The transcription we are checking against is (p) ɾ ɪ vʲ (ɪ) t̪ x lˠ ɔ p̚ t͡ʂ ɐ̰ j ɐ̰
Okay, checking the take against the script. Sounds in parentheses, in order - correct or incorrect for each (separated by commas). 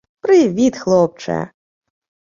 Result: correct, incorrect